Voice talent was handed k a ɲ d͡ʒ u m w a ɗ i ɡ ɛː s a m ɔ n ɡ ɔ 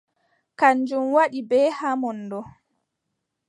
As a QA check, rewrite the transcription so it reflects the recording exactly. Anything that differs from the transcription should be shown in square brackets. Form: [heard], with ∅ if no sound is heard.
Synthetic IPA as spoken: k a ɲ d͡ʒ u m w a ɗ i [b] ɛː [h] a m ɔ n [d] ɔ